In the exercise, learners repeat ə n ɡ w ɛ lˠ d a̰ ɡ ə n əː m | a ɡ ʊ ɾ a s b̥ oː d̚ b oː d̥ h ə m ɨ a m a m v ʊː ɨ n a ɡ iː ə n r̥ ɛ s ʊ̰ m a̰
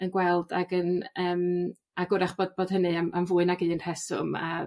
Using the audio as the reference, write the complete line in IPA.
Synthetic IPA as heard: ə n ɡ w ɛ lˠ d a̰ ɡ ə n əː m | a ɡ ʊ ɾ a χ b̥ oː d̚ b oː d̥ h ə n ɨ a m a m v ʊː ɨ n a ɡ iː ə n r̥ ɛ s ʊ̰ m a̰